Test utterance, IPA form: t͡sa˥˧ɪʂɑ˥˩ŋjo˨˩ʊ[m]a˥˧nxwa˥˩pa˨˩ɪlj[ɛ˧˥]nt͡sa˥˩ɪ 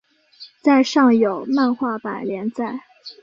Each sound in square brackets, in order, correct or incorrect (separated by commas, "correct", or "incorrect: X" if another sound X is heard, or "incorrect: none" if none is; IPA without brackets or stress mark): correct, correct